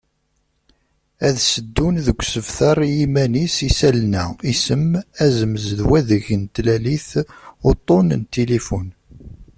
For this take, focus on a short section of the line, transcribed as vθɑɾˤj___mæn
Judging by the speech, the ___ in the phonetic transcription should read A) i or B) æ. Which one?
A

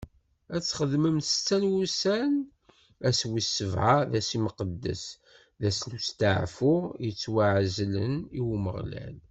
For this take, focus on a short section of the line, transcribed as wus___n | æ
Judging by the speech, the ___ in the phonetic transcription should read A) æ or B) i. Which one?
A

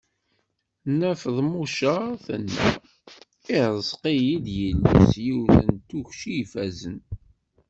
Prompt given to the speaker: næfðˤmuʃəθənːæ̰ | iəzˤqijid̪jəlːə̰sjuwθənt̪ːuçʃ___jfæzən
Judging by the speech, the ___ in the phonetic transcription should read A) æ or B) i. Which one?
B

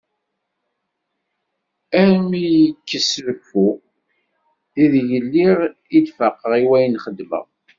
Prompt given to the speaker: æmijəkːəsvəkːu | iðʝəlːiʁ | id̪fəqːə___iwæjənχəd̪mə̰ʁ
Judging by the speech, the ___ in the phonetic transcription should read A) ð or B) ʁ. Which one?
B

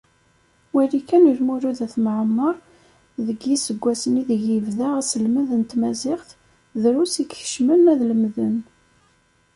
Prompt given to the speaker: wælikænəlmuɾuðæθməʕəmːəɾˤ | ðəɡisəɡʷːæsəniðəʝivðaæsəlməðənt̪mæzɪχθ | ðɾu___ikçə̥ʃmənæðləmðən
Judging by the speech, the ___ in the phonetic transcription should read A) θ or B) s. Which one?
B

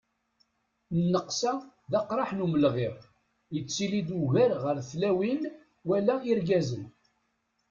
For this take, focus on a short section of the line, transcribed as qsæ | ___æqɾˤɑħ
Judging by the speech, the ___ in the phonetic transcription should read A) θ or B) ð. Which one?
B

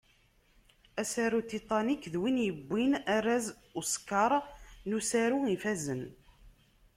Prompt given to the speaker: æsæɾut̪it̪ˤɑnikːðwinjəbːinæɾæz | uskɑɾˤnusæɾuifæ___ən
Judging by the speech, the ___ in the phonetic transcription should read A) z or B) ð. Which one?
A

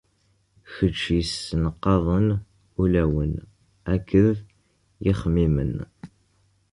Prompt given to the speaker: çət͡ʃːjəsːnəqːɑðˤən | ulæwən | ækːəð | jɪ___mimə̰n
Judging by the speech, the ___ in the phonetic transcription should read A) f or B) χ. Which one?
B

